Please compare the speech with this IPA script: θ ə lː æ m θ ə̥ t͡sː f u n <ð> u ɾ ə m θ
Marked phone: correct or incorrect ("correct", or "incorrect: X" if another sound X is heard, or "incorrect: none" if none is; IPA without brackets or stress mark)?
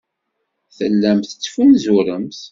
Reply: incorrect: z